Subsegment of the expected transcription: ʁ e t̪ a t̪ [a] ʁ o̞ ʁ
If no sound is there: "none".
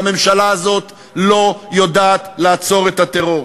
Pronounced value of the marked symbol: e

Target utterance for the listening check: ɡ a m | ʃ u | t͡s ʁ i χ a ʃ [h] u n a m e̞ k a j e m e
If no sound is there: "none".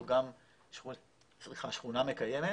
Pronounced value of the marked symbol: χ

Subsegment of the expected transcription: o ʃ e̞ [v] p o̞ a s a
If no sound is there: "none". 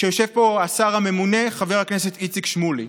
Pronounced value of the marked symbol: v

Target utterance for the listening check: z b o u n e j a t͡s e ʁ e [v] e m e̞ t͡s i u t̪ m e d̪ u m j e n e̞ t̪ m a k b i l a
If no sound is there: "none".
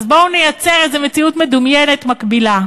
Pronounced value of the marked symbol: z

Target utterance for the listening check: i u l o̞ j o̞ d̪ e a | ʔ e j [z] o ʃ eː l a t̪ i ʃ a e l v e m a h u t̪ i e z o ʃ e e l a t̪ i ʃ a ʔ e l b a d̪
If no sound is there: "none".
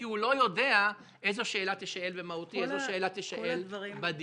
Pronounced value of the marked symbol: z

